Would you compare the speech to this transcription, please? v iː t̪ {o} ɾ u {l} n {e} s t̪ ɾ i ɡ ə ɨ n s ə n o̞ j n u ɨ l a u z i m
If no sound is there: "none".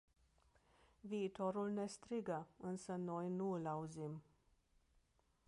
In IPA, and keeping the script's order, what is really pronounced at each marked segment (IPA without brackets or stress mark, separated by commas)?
o, l, e